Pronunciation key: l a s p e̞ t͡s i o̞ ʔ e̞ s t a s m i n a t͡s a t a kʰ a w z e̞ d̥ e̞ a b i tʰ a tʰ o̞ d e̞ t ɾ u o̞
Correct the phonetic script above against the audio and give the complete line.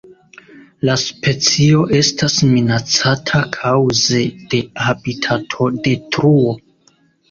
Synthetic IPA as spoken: l a s p e̞ t͡s i o̞ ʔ e̞ s t a s m i n a t͡s a tʰ a kʰ a w z e̞ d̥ e̞ a b i tʰ a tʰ o̞ d e̞ t ɾ u o̞